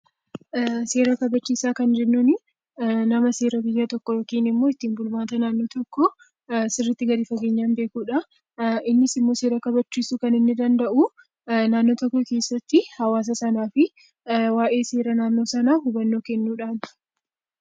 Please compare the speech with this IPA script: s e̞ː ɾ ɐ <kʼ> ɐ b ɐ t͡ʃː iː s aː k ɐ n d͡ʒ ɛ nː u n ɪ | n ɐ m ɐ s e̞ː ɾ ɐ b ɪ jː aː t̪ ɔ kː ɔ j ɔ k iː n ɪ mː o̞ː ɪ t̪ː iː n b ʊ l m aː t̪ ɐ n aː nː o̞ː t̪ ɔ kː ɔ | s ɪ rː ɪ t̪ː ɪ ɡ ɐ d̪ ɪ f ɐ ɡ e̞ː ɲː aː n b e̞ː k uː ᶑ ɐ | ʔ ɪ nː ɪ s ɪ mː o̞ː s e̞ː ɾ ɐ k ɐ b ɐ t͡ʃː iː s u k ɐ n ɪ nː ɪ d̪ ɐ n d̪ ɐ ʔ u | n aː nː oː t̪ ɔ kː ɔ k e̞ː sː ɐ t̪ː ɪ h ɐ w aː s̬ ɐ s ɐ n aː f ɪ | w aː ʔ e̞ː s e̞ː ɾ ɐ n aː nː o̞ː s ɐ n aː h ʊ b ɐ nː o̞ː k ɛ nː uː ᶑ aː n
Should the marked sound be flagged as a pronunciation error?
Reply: yes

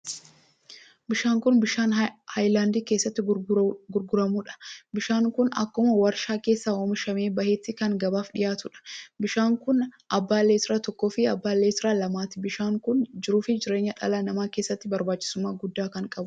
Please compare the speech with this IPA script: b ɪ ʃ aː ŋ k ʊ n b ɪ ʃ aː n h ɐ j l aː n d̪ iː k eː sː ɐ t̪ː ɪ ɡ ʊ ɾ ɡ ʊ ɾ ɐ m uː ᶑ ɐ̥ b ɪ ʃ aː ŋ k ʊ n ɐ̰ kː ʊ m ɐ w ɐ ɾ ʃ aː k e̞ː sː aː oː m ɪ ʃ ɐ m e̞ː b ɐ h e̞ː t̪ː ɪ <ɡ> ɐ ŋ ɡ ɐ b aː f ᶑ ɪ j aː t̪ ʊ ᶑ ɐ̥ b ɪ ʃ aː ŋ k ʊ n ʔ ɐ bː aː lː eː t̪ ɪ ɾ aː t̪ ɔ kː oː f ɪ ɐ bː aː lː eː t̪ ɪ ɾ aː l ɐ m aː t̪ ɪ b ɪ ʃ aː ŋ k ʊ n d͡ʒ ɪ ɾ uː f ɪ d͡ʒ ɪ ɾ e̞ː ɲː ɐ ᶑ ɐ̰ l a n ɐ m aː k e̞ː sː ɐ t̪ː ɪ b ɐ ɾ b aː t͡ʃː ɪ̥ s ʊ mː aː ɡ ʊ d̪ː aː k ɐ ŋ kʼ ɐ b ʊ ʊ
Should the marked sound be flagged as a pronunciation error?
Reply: yes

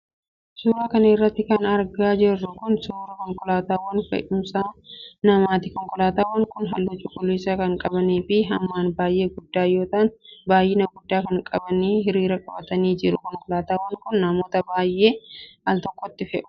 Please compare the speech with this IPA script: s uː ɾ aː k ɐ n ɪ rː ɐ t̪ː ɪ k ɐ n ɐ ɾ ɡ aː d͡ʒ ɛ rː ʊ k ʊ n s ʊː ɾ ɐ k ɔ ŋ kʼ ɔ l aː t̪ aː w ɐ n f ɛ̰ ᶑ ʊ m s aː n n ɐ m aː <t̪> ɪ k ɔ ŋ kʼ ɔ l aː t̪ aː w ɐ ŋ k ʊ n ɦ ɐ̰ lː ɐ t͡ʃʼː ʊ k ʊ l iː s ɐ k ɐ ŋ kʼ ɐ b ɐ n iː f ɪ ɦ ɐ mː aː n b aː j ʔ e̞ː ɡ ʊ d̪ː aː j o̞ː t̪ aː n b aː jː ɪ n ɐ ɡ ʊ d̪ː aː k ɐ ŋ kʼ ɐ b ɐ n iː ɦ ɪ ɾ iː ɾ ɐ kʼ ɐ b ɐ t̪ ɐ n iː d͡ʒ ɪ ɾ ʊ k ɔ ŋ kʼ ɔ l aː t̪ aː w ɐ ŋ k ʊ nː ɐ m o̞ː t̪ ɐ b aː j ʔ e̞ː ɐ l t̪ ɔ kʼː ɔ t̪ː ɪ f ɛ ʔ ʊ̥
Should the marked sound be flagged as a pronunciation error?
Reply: no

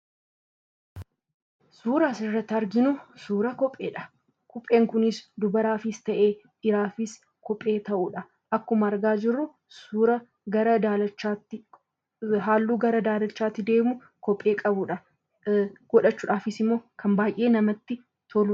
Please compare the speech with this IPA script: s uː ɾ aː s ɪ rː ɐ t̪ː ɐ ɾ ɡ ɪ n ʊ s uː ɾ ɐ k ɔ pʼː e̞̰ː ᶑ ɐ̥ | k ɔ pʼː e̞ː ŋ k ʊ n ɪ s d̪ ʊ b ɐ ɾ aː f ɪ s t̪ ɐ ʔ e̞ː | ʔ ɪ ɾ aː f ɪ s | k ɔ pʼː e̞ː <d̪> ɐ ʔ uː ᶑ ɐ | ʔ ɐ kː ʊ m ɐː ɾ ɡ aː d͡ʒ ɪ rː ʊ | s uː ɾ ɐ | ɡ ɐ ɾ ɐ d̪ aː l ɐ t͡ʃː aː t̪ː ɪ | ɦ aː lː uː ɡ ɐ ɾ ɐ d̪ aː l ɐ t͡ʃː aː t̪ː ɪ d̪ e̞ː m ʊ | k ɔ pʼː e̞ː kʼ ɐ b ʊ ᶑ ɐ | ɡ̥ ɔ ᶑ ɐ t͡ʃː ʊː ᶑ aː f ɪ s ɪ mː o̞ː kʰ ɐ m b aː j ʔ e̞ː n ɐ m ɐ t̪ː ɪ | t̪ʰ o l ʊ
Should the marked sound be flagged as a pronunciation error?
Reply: yes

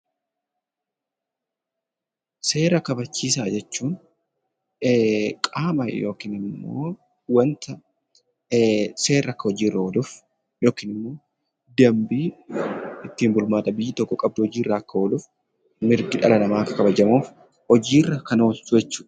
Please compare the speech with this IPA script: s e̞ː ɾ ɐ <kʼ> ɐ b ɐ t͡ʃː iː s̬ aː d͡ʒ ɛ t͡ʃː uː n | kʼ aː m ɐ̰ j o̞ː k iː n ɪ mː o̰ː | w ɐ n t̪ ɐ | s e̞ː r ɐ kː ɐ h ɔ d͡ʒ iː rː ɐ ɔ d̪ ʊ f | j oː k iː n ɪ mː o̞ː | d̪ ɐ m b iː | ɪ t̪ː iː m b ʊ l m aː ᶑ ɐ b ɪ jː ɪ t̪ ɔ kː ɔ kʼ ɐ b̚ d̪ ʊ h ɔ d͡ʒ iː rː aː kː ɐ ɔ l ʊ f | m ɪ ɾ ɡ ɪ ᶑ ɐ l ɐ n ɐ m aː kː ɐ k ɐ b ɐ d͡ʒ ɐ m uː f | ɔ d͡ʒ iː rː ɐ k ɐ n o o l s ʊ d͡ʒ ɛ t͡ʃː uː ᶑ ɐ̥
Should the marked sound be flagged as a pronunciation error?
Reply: yes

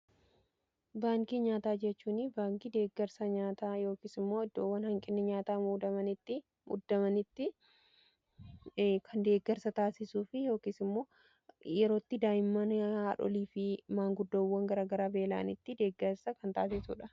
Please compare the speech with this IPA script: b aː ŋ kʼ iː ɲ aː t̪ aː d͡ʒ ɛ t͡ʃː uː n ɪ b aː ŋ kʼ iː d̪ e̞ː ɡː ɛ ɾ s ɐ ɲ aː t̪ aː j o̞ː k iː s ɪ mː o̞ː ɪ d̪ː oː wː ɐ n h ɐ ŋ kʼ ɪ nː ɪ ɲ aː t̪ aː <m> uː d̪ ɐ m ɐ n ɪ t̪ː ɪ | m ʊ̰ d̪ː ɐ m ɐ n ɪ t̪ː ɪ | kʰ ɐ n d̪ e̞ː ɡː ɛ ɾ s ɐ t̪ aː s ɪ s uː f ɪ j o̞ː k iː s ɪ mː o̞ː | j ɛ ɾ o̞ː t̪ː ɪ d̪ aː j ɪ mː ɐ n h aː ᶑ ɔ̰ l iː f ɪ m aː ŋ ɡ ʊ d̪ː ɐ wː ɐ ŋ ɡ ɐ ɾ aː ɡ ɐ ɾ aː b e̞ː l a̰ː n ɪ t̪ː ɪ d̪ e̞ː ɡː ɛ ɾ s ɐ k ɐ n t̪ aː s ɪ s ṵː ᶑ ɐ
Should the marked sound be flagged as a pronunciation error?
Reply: no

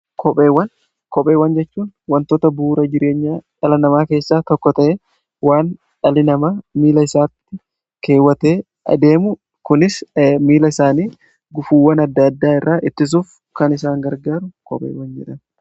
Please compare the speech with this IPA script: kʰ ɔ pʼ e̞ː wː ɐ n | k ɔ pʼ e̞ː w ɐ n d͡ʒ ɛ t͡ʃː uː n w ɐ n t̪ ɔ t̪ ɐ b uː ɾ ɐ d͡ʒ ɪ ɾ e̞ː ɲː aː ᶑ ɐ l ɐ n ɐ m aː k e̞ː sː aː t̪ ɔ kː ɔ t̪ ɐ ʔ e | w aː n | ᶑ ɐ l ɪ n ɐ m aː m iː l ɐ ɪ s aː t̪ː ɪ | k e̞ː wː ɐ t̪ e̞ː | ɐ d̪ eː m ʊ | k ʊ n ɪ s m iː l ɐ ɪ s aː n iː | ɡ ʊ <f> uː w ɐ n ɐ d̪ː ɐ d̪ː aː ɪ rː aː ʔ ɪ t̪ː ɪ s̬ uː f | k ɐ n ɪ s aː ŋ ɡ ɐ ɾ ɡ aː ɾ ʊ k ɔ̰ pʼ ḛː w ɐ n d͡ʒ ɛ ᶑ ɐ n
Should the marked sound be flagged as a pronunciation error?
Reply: no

